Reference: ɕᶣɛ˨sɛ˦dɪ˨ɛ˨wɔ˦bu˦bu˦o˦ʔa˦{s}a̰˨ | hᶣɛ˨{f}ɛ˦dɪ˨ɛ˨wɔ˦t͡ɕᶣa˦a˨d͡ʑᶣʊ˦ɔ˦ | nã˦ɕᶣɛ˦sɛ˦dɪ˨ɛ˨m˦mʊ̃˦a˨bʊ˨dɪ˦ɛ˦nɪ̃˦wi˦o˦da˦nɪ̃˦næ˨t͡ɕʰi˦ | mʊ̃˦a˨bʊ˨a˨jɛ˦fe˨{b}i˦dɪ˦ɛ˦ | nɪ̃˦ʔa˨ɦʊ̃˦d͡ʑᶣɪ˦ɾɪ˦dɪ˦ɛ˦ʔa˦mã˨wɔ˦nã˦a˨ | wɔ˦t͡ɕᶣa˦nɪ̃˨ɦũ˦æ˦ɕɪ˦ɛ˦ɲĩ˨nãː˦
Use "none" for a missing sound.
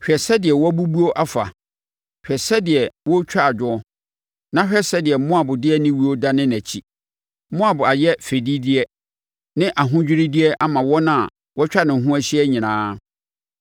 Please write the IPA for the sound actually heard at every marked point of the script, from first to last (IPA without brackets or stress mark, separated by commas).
f, s, d